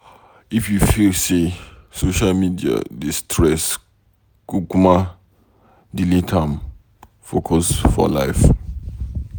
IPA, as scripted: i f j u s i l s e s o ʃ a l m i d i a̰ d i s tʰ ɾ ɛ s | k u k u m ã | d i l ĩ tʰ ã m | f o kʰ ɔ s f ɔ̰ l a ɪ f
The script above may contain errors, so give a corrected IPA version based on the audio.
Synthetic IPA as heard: i f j u f i l s e s o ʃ a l m i d i a̰ d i s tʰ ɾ ɛ s | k u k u m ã | d i l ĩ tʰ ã m | f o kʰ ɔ s f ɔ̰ l a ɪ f